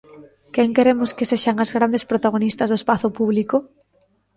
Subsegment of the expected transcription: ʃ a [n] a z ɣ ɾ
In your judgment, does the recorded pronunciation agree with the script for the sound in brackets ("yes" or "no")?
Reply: no